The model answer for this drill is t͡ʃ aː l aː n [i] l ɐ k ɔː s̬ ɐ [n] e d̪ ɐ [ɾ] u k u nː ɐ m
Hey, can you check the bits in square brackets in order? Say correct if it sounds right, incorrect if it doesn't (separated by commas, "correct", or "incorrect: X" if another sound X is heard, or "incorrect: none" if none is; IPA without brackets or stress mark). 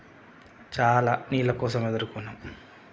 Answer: incorrect: iː, incorrect: m, correct